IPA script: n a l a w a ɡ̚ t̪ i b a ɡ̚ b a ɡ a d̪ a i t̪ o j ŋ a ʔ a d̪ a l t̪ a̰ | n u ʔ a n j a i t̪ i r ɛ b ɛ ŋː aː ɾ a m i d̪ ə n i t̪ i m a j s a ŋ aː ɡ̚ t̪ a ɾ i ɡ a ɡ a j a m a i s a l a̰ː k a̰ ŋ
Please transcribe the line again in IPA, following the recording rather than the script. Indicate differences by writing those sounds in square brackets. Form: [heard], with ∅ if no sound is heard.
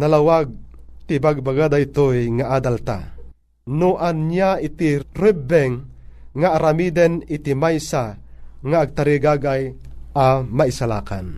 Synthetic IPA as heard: n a l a w a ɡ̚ t̪ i b a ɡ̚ b a ɡ a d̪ a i t̪ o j ŋ a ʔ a d̪ a l t̪ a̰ | n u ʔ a n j a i t̪ i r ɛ b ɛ ŋː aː ɾ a m i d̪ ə n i t̪ i m a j s a ŋ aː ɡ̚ t̪ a ɾ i ɡ a ɡ a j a m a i s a l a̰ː k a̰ [n]